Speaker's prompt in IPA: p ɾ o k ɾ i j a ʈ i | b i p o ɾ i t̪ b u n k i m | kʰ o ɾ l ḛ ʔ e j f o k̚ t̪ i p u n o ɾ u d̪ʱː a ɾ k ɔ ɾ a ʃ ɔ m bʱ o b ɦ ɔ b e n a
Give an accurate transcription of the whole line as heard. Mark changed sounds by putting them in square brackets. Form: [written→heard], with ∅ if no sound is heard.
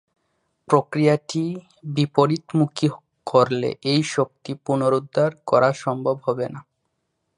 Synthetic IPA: p ɾ o k ɾ i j a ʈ i | b i p o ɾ i t̪ [b→m] u [n→∅] k i [m→∅] | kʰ o ɾ l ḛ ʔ e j [f→ʃ] o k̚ t̪ i p u n o ɾ u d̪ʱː a ɾ k ɔ ɾ a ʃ ɔ m bʱ o b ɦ ɔ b e n a

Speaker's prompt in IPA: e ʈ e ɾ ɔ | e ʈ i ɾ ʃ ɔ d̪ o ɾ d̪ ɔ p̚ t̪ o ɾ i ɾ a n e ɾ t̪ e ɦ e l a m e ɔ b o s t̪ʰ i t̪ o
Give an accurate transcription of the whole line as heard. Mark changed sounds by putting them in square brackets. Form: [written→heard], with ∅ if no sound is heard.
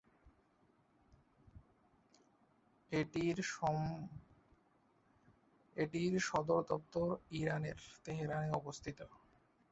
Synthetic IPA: e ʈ [e→i] ɾ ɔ | e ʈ i ɾ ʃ ɔ d̪ o ɾ d̪ ɔ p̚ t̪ o ɾ i ɾ a n e ɾ t̪ e ɦ e [l→ɾ] a [m→n] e ɔ b o s t̪ʰ i t̪ o

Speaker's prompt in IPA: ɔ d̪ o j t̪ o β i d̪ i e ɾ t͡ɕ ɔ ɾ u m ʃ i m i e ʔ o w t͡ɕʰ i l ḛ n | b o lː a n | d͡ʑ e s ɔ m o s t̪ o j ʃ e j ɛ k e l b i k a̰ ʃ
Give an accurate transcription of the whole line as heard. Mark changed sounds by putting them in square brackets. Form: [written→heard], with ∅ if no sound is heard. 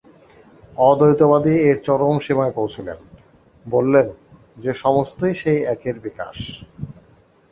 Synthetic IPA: ɔ d̪ o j t̪ o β [i→a] d̪ i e ɾ t͡ɕ ɔ ɾ [u→o] m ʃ i m [i→a] e [ʔ→p] o w t͡ɕʰ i l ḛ n | b o lː [a→e] n | d͡ʑ e [s→ʃ] ɔ m o s t̪ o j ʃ e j ɛ k e [l→ɾ] b i k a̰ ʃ

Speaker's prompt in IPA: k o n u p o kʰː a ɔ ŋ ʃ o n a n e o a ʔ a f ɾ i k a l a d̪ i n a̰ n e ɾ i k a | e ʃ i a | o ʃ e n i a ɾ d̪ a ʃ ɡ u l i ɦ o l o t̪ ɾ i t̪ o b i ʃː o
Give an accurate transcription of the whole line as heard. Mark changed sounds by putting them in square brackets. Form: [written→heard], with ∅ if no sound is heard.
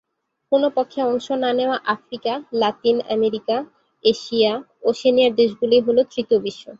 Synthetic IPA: k o n [u→o] p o kʰː [a→e] ɔ ŋ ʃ o n a n e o a ʔ a f ɾ i k a l a [d̪→t̪] i n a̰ [n→m] e ɾ i k a | e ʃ i a | o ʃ e n i a ɾ d̪ [a→e] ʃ ɡ u l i ɦ o l o t̪ ɾ i t̪ o b i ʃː o

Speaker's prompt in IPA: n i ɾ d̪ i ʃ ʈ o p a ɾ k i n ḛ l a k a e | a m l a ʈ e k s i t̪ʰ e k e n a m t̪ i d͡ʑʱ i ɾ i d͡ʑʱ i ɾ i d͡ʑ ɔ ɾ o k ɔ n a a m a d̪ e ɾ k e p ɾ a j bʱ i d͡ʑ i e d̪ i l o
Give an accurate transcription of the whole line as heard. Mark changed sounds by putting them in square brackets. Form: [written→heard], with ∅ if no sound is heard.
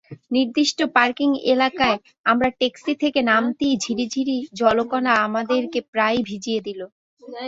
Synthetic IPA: n i ɾ d̪ i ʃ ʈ o p a ɾ k i [n→ŋ] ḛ l a k a e | a m [l→ɾ] a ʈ e k s i t̪ʰ e k e n a m t̪ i d͡ʑʱ i ɾ i d͡ʑʱ i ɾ i d͡ʑ ɔ [ɾ→l] o k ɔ n a a m a d̪ e ɾ k e p ɾ a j bʱ i d͡ʑ i e d̪ i l o

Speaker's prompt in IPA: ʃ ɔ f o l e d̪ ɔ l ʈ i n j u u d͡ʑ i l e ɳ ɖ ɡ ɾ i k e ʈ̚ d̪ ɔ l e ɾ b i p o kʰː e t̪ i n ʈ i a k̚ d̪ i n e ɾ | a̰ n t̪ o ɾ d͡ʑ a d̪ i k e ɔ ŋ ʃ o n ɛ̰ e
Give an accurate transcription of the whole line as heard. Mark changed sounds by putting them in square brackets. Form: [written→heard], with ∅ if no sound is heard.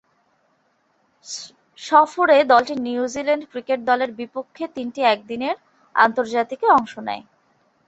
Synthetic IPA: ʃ ɔ f o [l→ɾ] e d̪ ɔ l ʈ i n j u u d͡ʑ i l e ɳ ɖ [ɡ→k] ɾ i k e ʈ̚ d̪ ɔ l e ɾ b i p o kʰː e t̪ i n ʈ i [a→ɛ] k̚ d̪ i n e ɾ | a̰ n t̪ o ɾ d͡ʑ a [d̪→t̪] i k e ɔ ŋ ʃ o n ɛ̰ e

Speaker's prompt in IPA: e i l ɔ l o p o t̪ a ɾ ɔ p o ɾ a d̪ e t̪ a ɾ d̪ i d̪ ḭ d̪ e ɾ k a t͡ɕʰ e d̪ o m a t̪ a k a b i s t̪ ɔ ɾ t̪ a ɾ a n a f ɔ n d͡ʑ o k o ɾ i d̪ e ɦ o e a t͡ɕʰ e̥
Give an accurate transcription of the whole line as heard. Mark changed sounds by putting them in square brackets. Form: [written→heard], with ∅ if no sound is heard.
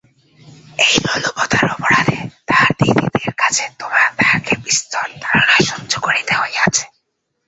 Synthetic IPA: e [i→j] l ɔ l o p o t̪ a ɾ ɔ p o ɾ a d̪ e t̪ a ɾ d̪ i d̪ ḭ d̪ e ɾ k a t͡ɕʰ e [d̪→t̪] o m a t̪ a k [a→e] b i s t̪ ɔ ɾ t̪ a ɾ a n a [f→ʃ] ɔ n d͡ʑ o k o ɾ i [d̪→t̪] e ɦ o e a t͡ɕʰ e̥

